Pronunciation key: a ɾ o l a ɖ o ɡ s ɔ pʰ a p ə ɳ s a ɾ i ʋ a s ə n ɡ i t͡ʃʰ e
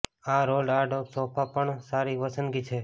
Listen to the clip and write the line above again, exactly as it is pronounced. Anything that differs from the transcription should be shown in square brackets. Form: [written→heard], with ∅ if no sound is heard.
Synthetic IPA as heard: a ɾ o l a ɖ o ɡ s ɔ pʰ a p ə ɳ s a ɾ i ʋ [a→ə] s ə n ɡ i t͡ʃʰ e